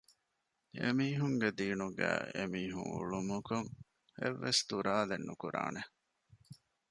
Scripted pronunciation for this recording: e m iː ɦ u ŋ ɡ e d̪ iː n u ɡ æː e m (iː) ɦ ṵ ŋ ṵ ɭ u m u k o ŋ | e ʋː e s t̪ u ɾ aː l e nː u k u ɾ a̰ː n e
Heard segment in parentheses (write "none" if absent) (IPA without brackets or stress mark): iː